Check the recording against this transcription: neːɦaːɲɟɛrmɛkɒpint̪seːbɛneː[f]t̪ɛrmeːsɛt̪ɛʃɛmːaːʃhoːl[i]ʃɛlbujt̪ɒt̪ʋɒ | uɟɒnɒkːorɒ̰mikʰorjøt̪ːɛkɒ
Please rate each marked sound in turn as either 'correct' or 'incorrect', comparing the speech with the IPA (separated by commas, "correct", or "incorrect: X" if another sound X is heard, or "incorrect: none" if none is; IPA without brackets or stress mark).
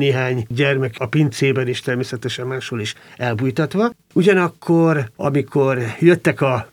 incorrect: ʃ, correct